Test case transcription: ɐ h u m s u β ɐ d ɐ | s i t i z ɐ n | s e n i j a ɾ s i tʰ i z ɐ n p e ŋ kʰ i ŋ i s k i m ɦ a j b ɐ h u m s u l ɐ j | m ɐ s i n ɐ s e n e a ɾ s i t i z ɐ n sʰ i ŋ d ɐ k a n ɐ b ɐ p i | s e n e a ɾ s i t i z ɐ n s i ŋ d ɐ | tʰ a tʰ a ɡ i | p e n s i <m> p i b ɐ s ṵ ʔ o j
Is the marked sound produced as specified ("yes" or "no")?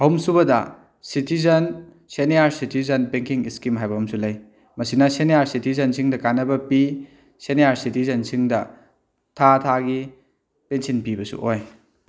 no